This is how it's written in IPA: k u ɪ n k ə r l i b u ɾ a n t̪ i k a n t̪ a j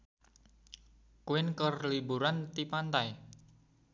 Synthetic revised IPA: k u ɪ n k ə r l i b u ɾ a n t̪ i p a n t̪ a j